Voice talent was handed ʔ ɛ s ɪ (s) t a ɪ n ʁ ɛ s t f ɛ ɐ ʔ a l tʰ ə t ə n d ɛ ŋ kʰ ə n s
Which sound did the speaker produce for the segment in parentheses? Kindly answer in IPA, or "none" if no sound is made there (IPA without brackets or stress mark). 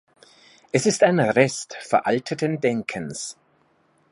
s